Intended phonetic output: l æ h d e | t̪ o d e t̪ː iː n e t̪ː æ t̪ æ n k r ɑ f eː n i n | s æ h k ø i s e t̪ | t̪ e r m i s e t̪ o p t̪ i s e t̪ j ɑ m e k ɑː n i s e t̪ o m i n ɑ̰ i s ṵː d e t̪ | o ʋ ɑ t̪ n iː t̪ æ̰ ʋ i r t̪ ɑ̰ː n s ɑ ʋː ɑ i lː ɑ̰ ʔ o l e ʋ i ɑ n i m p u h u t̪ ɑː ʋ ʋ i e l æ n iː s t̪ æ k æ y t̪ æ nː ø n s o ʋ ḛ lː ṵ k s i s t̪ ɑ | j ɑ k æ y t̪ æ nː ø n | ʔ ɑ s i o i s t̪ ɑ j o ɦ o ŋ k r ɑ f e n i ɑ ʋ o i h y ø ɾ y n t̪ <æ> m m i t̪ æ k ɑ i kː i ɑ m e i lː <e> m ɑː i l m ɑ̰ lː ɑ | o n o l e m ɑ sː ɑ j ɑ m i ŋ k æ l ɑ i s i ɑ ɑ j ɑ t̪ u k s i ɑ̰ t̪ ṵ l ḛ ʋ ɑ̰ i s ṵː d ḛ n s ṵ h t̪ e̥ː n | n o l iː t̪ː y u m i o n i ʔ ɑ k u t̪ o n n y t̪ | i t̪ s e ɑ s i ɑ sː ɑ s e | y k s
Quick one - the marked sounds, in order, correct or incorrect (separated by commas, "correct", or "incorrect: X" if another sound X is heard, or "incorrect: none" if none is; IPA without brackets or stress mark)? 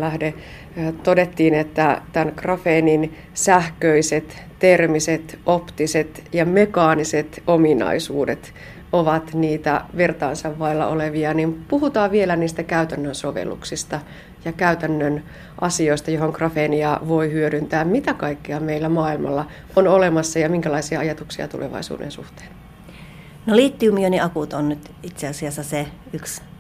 incorrect: æː, incorrect: æ